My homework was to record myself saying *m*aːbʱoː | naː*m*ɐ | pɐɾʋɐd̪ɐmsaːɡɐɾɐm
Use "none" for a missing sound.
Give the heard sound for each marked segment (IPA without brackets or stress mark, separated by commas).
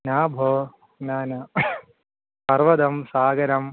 n, n